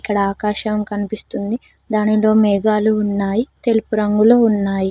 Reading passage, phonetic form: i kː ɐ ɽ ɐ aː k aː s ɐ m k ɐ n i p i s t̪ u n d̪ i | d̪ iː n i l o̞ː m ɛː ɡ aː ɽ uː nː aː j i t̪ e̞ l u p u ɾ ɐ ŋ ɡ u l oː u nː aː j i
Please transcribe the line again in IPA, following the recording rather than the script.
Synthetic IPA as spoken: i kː ɐ ɽ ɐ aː k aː ʃ ɐ m k ɐ n i p i s t̪ u n d̪ i | d̪ aː n i l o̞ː m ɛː ɡ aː l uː nː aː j i t̪ e̞ l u p u ɾ ɐ ŋ ɡ u l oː u nː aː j i